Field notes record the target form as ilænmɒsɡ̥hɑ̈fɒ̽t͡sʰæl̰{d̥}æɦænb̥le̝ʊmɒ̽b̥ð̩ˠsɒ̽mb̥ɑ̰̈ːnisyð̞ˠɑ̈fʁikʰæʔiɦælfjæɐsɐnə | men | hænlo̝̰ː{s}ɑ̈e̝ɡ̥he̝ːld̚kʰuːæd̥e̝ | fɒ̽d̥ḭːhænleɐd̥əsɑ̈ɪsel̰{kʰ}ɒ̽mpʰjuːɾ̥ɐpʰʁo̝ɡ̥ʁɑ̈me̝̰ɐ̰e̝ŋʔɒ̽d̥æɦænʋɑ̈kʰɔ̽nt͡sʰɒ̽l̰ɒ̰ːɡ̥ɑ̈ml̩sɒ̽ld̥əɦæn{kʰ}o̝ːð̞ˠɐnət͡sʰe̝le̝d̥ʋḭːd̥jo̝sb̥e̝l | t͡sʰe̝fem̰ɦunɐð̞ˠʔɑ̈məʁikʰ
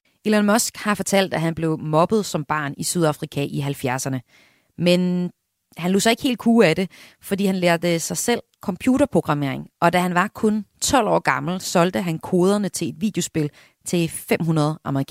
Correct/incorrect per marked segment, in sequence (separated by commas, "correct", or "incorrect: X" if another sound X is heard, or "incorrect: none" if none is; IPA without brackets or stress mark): correct, correct, correct, correct